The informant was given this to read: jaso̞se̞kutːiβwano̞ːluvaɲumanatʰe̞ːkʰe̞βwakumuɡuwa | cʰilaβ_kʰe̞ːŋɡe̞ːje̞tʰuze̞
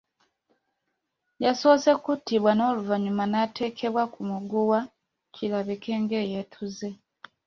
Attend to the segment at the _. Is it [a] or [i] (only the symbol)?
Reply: i